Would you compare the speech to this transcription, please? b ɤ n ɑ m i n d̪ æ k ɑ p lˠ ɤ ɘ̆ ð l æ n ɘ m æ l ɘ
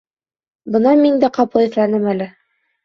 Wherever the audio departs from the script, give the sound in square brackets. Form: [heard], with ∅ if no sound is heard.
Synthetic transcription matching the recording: b ɤ n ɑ m i n d̪ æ [q] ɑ p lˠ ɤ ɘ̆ [θ] l æ n ɘ m æ l ɘ